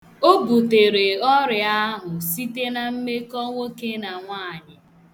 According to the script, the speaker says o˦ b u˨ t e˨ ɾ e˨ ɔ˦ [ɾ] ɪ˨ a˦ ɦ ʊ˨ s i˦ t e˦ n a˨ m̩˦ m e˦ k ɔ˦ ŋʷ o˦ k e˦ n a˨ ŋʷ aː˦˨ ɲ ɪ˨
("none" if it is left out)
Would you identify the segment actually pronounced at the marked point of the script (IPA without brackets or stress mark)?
ɾ